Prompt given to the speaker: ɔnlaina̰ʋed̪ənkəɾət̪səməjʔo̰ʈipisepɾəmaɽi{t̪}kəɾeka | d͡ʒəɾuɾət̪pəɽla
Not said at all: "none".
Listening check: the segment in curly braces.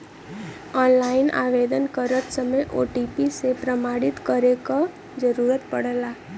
t̪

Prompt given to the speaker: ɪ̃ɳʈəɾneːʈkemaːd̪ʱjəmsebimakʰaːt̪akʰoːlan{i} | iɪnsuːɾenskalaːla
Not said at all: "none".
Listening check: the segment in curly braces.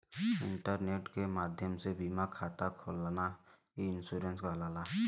a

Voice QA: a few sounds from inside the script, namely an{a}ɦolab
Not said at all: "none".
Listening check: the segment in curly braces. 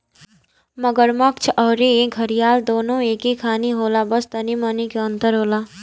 i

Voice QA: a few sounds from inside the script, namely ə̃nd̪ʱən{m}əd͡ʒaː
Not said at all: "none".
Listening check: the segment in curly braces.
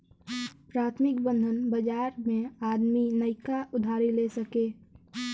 b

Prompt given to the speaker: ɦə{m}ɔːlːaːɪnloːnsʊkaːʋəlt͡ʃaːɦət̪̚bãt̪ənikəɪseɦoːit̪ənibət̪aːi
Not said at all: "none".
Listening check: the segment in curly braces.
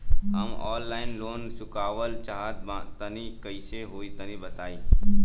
m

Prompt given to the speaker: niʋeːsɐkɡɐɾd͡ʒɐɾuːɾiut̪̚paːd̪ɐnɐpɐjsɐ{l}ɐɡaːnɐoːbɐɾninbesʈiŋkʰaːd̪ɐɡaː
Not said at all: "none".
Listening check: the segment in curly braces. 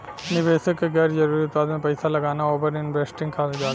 l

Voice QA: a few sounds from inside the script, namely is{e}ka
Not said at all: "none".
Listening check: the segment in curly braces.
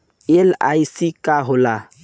i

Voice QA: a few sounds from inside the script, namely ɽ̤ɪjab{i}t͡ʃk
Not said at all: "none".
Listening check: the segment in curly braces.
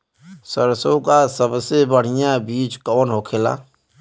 iː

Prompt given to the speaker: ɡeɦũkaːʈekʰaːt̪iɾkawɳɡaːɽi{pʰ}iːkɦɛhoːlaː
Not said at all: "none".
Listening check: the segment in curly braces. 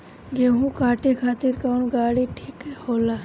ʈʰ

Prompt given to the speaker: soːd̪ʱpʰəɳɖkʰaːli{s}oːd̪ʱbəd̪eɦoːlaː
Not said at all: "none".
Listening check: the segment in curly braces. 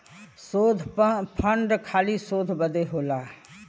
s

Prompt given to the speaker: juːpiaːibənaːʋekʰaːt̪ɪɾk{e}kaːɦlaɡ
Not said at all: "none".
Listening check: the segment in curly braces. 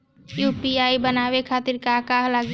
a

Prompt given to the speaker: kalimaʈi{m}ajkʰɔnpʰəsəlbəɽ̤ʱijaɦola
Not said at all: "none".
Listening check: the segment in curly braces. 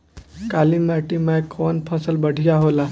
m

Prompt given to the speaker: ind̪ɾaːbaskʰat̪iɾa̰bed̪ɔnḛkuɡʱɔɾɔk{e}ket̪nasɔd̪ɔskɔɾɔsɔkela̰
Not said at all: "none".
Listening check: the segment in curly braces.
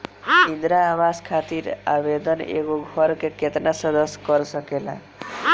e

